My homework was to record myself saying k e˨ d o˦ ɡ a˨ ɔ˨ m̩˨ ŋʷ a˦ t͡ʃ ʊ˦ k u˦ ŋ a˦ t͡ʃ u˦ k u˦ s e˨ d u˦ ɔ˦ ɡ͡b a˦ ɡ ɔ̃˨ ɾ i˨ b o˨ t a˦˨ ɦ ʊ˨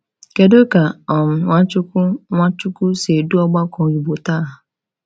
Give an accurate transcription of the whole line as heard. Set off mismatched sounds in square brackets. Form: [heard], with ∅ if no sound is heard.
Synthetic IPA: k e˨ d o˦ [k] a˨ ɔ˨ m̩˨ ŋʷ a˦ t͡ʃ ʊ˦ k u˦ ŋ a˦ t͡ʃ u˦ k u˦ s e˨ d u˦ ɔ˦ ɡ͡b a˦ [k] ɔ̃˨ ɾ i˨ b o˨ t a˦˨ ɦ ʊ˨

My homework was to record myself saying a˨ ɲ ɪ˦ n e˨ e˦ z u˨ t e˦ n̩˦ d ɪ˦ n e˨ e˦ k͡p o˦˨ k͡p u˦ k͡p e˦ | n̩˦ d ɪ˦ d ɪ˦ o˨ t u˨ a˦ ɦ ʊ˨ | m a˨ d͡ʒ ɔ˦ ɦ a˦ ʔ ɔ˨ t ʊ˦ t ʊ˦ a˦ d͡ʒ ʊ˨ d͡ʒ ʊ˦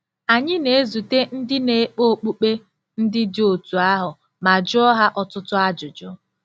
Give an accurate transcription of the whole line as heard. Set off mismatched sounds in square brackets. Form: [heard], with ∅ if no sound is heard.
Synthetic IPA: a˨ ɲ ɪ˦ n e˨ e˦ z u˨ t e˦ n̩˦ d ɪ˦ n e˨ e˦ k͡p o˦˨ k͡p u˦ k͡p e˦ | n̩˦ d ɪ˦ d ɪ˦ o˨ t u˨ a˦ ɦ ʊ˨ | m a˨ d͡ʒ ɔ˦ ɦ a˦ ʔ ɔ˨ t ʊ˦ t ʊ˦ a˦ d͡ʒ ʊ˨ d͡ʒ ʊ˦

